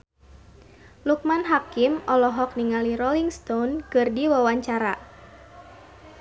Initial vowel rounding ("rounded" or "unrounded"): rounded